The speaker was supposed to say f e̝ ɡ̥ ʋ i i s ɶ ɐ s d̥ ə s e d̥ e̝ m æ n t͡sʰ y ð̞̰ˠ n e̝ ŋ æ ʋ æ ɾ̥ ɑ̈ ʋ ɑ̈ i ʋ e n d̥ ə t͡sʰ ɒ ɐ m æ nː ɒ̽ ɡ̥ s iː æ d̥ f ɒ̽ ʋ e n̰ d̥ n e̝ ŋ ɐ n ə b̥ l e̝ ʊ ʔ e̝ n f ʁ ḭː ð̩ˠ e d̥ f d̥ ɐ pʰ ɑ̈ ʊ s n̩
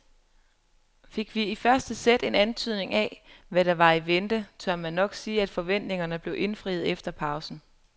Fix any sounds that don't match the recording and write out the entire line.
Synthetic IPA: f e̝ ɡ̥ ʋ i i f ɶ ɐ s d̥ ə s e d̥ e̝ n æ n t͡sʰ y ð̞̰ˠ n e̝ ŋ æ ʋ æ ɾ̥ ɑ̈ ʋ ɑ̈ i ʋ e n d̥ ə t͡sʰ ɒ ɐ m æ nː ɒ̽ ɡ̥ s iː æ d̥ f ɒ̽ ʋ e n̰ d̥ n e̝ ŋ ɐ n ə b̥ l e̝ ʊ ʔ e̝ n f ʁ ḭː ð̩ˠ e f d̥ ɐ pʰ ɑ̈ ʊ s n̩